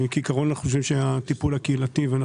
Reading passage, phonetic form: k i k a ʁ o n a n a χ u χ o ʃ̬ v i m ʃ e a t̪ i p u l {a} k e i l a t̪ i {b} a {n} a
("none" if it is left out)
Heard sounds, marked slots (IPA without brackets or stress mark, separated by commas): a, v, n